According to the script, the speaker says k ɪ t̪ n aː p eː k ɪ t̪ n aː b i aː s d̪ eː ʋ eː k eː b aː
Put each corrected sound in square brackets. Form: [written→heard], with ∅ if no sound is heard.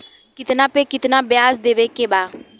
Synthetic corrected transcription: k ɪ t̪ n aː p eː k ɪ t̪ n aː b [i→j] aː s d̪ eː ʋ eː k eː b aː